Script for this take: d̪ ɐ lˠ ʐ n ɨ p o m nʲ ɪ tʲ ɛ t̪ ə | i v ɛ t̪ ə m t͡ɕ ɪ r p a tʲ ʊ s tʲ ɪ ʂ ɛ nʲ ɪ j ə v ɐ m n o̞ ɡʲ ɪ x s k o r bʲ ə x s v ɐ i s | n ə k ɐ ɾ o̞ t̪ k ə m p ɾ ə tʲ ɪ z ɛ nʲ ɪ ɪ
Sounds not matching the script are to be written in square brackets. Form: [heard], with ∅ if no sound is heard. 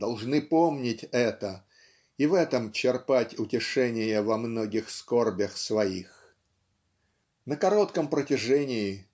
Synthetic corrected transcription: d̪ ɐ lˠ ʐ n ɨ p o m nʲ ɪ tʲ ɛ t̪ ə | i v ɛ t̪ ə m t͡ɕ ɪ r p a tʲ ʊ [∅] tʲ ɪ ʂ ɛ nʲ ɪ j ə v ɐ m n o̞ ɡʲ ɪ x s k o r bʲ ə x s v ɐ i [x] | n ə k ɐ ɾ o̞ t̪ k ə m p ɾ ə tʲ ɪ [ʐ] ɛ nʲ ɪ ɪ